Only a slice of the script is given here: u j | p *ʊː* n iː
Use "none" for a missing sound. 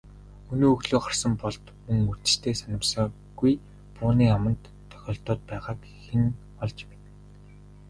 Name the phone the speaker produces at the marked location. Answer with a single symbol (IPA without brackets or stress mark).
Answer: ʊː